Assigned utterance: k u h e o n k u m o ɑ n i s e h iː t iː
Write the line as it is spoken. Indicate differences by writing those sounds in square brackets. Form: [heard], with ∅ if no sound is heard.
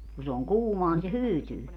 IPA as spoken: k u [s] e o [ŋ] k [uː] m o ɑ n i s e h [yː] t [yː]